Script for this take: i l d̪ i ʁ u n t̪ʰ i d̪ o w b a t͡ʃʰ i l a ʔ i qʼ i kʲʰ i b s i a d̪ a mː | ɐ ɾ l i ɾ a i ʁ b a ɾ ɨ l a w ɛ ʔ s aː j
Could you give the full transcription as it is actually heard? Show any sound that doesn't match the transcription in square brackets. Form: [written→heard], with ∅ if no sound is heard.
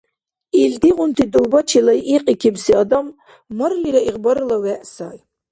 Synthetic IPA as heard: i l d̪ i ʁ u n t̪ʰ i d̪ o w b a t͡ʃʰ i l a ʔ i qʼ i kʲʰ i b s i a d̪ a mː | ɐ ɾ l i ɾ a i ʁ b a ɾ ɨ l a w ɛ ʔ s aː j

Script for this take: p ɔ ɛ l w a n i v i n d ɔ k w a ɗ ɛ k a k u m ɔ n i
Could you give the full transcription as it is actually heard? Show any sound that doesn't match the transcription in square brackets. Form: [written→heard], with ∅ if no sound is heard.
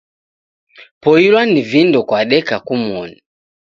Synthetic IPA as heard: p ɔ [ɛ→i] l w a n i v i n d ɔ k w a ɗ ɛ k a k u m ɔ n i

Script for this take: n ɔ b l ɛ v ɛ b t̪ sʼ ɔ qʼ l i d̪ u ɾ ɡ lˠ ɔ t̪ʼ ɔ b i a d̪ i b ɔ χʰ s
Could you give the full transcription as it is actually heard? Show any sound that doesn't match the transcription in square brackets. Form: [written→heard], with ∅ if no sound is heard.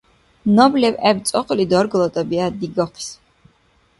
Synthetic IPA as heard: n ɔ b l ɛ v ɛ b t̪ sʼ ɔ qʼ l i d̪ [u→ɔ] ɾ ɡ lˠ ɔ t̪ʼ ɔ b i a d̪ i [b→ɡ] ɔ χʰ s

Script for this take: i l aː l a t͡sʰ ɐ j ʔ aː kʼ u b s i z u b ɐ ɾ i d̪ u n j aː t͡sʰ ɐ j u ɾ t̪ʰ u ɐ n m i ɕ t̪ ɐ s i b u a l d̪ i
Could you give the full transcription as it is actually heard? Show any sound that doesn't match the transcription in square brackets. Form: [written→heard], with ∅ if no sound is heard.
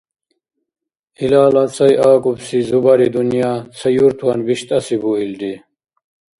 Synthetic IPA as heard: i l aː l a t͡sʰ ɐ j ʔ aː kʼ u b s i z u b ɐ ɾ i d̪ u n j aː t͡sʰ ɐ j u ɾ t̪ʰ u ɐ n [m→b] i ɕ t̪ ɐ s i b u [a→i] l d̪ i

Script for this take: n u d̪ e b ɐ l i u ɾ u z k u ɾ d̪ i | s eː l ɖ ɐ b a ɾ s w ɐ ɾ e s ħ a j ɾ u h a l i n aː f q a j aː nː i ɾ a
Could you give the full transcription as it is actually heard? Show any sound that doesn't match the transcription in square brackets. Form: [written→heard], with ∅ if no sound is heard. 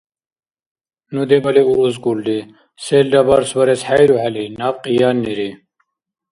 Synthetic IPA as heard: n u d̪ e b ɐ l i u ɾ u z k u [ɾ→l] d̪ i | s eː l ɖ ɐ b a ɾ s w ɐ ɾ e s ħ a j ɾ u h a l i n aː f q [a→i] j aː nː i ɾ [a→i]

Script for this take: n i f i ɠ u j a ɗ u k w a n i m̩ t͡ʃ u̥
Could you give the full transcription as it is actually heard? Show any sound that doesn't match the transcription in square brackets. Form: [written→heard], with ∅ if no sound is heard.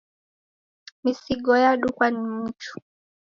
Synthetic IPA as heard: [n→m] i [f→s] i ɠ [u→ɔ] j a ɗ u k w a n i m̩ t͡ʃ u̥

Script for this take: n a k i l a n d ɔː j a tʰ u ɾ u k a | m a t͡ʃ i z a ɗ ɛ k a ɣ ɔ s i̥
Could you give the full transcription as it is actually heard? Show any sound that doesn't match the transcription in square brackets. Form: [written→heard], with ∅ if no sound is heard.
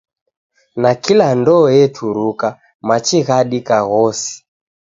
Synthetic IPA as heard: n a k i l a n d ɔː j [a→ɛ] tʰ u ɾ u k a | m a t͡ʃ i [z→ɣ] a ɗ [ɛ→i] k a ɣ ɔ s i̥

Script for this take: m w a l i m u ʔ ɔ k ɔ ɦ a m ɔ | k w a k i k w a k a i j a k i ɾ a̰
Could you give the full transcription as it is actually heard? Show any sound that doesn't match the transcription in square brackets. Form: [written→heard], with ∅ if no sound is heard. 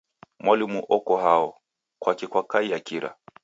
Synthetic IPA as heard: m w a l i m u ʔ ɔ k ɔ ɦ a [m→∅] ɔ | k w a k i k w a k a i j a k i ɾ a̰

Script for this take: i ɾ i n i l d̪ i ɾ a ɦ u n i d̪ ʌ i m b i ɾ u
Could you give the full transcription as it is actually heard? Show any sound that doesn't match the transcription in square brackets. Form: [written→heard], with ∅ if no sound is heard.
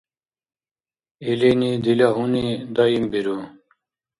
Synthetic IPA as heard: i [ɾ→l] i n i [l→∅] d̪ i [ɾ→l] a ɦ u n i d̪ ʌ i m b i ɾ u

